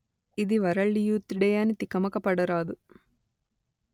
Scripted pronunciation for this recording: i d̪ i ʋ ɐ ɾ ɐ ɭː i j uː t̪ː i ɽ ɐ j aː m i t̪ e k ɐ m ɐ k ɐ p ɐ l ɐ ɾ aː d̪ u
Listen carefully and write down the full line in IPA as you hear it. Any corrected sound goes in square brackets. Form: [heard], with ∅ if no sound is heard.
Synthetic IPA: i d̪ i ʋ ɐ ɾ ɐ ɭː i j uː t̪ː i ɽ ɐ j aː [n] i t̪ [i] k ɐ m ɐ k ɐ p ɐ [ɽ] ɐ ɾ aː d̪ u